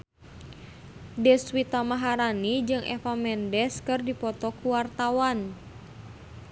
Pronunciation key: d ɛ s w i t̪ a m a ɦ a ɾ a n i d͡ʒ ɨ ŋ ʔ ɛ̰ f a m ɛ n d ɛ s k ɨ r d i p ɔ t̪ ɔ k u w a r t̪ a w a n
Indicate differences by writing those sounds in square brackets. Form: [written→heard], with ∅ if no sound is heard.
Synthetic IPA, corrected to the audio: d ɛ s w i t̪ a m a ɦ a ɾ a n i d͡ʒ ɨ ŋ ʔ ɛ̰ f a m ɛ n d ɛ s k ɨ r d i p ɔ t̪ ɔ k u w a r t̪ a w a n